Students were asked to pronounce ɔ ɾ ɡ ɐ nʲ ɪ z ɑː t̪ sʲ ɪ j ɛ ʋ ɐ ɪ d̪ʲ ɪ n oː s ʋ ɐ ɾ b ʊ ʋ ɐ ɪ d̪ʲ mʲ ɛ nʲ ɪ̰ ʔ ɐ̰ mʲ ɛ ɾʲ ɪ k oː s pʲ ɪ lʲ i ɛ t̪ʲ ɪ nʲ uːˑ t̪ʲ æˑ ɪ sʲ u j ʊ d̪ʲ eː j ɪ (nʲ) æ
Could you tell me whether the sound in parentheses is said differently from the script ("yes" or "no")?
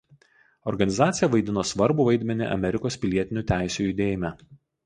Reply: yes